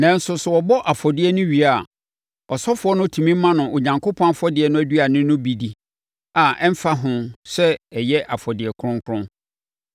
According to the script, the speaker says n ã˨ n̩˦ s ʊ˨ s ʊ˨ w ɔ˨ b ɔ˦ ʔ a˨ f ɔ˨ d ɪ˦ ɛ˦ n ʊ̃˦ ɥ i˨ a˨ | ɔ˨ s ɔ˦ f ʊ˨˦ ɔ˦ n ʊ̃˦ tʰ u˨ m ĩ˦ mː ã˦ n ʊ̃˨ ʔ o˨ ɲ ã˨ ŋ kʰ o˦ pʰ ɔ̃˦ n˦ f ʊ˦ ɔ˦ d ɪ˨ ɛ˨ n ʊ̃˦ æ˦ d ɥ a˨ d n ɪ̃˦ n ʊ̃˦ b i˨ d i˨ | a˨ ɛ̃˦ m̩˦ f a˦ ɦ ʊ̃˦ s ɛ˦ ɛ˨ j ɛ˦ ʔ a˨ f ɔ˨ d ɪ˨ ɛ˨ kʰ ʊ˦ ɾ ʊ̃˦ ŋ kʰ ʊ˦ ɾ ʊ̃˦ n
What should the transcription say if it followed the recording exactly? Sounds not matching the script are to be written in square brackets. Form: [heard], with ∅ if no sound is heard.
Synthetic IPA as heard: n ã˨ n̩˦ s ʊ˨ s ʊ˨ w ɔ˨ b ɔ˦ ʔ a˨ f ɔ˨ d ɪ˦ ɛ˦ n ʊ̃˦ ɥ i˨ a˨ | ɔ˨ s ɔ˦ f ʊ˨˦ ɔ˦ n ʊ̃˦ tʰ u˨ m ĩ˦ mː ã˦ n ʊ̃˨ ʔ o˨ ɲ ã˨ ŋ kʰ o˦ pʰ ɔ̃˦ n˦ f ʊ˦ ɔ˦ d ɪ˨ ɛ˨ n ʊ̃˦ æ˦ d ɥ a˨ [∅] n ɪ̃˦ n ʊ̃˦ b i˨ d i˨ | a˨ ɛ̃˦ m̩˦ f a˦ ɦ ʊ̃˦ s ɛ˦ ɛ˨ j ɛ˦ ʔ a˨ f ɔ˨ d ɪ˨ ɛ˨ kʰ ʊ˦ ɾ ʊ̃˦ ŋ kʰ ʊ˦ ɾ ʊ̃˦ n